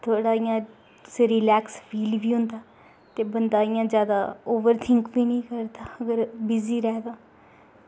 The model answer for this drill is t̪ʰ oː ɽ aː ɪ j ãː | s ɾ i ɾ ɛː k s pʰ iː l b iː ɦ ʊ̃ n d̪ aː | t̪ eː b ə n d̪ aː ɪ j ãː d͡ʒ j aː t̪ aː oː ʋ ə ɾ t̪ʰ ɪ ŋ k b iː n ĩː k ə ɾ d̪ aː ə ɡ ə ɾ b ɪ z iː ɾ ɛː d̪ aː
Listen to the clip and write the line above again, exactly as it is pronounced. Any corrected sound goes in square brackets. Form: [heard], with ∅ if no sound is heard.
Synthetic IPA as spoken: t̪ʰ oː ɽ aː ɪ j ãː | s ɾ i [l] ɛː k s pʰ iː l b iː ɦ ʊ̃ n d̪ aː | t̪ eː b ə n d̪ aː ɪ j ãː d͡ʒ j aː [d̪] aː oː ʋ ə ɾ t̪ʰ ɪ ŋ k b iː n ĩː k ə ɾ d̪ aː ə ɡ ə ɾ b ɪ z iː ɾ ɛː d̪ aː

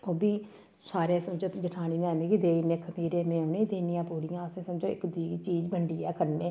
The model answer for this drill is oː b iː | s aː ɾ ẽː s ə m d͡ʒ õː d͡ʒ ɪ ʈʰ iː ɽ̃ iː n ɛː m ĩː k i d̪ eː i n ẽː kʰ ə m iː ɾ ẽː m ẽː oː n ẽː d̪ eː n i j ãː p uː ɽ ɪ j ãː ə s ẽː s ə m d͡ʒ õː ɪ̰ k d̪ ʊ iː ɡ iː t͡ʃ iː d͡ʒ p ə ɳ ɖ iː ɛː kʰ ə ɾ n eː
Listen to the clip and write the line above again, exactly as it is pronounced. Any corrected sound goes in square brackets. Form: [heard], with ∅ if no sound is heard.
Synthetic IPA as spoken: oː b iː | s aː ɾ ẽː s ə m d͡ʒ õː d͡ʒ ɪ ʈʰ [aː] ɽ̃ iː n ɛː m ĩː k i d̪ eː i n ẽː kʰ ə m iː ɾ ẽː m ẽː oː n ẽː d̪ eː n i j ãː p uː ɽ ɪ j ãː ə s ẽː s ə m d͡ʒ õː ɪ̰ k d̪ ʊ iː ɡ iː t͡ʃ iː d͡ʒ [b] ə ɳ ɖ iː ɛː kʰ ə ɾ n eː

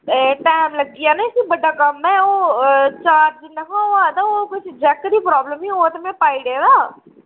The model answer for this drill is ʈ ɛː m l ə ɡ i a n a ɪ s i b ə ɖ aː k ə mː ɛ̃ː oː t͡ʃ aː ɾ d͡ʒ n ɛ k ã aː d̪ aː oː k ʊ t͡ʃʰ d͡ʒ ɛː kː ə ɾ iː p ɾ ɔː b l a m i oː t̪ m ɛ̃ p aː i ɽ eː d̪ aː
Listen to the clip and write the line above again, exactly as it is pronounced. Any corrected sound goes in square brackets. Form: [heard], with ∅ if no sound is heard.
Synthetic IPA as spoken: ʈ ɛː m l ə ɡ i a n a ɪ s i b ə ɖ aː k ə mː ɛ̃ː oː t͡ʃ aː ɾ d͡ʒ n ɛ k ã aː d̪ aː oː k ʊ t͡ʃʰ d͡ʒ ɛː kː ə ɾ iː p ɾ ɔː b l [ə] m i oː t̪ m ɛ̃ p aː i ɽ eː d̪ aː

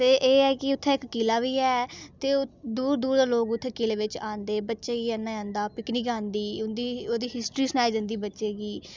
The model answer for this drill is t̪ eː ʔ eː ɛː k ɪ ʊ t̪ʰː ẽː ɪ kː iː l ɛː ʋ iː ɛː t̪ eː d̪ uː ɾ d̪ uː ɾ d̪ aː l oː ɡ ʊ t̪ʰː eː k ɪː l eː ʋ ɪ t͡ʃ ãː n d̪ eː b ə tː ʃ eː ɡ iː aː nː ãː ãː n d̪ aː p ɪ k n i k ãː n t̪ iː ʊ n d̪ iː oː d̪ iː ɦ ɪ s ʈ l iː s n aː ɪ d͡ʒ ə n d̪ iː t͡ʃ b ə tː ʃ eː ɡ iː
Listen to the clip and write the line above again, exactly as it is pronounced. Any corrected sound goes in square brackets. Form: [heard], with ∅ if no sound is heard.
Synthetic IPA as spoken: t̪ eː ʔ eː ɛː k ɪ ʊ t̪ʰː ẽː ɪ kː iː l [aː] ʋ iː ɛː t̪ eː d̪ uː ɾ d̪ uː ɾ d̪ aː l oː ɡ ʊ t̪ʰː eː k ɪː l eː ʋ ɪ t͡ʃ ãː n d̪ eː b ə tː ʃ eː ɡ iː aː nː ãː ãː n d̪ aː p ɪ k n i k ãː n [d̪] iː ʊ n d̪ iː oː d̪ iː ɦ ɪ s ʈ [ɾ] iː s n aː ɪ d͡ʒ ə n d̪ iː [∅] b ə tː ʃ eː ɡ iː

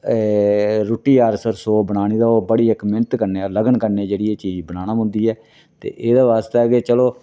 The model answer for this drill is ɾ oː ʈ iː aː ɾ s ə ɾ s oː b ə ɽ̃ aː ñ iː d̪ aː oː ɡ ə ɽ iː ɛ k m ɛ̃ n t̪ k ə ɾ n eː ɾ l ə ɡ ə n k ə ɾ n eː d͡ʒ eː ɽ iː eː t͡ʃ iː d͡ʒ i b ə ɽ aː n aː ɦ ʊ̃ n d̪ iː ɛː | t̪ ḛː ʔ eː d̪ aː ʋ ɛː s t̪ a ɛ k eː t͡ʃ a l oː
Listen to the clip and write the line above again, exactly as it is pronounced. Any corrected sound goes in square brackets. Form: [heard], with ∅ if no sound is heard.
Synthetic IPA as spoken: ɾ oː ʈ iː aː ɾ s ə ɾ s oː b ə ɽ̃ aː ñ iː d̪ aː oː [b] ə ɽ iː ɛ k m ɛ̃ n t̪ k ə ɾ n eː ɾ l ə ɡ ə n k ə ɾ n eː d͡ʒ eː ɽ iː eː t͡ʃ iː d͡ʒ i b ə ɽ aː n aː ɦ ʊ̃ n d̪ iː ɛː | t̪ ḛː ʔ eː d̪ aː ʋ [aː] s t̪ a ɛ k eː t͡ʃ [ə] l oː

